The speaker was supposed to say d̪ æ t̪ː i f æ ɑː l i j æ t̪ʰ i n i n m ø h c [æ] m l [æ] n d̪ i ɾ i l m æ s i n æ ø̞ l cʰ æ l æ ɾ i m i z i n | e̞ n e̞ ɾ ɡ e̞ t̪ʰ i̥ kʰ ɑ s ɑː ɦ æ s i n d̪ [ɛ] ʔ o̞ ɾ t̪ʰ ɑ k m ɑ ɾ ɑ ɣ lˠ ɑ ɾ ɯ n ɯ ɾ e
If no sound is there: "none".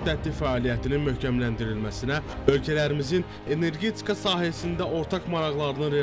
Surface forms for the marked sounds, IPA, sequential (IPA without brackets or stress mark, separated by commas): æ, æ, æ